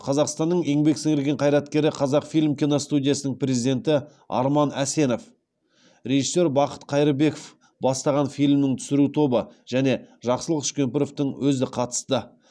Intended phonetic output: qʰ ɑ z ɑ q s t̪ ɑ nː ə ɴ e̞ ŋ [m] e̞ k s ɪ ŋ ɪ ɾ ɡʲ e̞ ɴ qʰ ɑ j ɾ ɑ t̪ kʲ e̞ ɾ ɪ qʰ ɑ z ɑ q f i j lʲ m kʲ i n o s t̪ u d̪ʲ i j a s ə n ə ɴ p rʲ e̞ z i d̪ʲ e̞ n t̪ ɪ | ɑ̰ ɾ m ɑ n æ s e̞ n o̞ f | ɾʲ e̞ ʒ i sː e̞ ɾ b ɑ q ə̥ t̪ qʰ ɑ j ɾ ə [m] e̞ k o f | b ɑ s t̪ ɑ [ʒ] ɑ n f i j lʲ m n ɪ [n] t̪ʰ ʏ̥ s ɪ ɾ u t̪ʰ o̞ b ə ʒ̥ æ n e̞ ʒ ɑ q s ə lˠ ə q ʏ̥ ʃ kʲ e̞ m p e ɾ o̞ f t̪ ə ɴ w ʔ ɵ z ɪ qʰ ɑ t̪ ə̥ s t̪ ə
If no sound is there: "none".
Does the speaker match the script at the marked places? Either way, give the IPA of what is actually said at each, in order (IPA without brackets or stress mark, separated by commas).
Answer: b, b, ʁ, ŋ